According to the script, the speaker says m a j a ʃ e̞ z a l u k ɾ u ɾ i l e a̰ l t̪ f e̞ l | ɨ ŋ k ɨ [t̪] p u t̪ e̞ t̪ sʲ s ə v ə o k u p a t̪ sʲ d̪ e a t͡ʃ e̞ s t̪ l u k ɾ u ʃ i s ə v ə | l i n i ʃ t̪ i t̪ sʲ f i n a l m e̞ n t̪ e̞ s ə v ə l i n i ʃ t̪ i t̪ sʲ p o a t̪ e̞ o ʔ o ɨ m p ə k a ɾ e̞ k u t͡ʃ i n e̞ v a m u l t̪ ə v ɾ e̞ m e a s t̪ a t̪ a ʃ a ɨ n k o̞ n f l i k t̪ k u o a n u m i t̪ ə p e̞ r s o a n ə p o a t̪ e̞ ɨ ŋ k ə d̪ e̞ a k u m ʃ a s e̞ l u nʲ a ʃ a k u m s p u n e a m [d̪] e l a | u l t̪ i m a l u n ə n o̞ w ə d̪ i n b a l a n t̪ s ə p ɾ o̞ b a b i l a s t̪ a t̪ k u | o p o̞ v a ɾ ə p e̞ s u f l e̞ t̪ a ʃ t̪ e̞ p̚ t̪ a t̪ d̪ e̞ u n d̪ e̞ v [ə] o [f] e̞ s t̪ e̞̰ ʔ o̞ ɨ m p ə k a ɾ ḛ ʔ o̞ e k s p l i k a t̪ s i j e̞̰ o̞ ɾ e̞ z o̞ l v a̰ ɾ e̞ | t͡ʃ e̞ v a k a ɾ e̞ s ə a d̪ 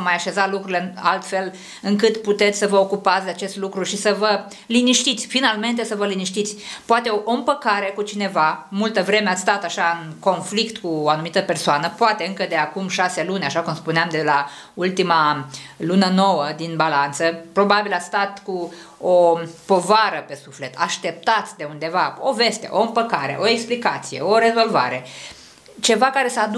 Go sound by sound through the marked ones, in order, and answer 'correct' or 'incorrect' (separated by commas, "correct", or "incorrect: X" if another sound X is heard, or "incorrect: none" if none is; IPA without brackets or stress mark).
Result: correct, correct, incorrect: a, incorrect: v